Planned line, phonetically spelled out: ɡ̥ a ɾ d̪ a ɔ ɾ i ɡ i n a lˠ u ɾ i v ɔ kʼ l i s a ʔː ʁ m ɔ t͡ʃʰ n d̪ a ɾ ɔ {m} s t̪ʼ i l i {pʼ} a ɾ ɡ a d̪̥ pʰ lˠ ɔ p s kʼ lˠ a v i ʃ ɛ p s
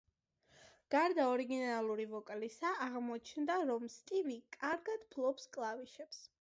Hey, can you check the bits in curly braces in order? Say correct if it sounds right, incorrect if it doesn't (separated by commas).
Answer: correct, incorrect